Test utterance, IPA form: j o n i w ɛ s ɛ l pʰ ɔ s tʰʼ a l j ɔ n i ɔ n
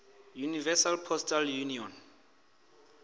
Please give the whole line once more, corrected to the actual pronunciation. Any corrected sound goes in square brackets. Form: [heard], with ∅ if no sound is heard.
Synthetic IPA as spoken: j [u] n i [v] ɛ s [a] l pʰ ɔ s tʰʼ a l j [u] n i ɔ n